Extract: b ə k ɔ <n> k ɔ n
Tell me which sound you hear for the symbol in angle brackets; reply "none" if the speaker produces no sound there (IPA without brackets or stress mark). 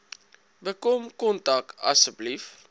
m